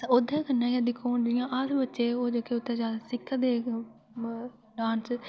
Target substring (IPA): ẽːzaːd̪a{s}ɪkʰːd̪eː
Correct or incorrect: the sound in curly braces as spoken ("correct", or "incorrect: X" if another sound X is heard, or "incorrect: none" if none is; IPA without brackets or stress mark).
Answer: correct